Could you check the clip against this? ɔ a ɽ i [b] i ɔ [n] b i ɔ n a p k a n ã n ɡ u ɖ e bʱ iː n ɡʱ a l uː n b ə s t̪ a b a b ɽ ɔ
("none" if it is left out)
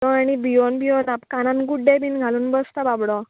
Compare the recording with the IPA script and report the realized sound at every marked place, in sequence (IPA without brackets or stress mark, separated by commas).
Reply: b, n